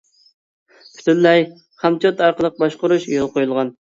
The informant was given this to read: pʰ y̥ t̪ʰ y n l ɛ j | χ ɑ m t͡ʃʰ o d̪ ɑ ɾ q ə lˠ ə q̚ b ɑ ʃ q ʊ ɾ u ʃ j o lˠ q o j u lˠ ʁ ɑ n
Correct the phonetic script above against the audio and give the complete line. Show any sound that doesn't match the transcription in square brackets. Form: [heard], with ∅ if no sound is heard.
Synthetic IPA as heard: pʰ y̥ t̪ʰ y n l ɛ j | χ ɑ m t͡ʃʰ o [t̪] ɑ ɾ q ə lˠ ə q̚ b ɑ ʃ q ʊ ɾ u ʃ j o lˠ q o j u lˠ ʁ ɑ n